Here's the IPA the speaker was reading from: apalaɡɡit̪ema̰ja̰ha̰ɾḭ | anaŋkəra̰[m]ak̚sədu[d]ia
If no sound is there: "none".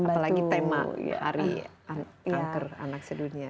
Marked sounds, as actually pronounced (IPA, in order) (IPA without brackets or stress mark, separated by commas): n, n